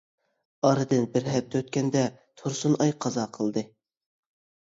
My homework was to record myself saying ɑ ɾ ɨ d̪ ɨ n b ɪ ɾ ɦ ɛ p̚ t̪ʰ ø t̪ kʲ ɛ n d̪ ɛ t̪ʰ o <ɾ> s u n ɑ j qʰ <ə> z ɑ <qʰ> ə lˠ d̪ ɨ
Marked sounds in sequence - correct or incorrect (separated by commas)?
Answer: correct, incorrect, correct